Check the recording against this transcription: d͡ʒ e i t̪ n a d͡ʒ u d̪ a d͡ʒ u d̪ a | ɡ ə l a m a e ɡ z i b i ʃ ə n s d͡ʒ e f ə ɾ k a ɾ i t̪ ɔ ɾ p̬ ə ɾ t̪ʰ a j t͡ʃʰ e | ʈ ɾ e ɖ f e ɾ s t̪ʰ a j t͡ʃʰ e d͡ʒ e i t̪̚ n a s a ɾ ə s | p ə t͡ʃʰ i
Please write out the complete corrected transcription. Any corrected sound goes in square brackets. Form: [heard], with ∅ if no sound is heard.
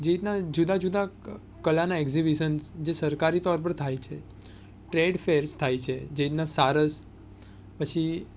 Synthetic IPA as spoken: d͡ʒ e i t̪ n a d͡ʒ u d̪ a d͡ʒ u d̪ a | [k] ə l a [n] a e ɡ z i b i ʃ ə n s d͡ʒ e [s] ə ɾ k a ɾ i t̪ ɔ ɾ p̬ ə ɾ t̪ʰ a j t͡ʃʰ e | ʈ ɾ e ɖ f e ɾ s t̪ʰ a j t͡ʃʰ e d͡ʒ e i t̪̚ n a s a ɾ ə s | p ə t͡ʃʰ i